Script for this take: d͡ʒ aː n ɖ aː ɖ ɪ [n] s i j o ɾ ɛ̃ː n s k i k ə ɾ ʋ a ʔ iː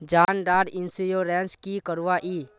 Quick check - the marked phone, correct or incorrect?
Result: correct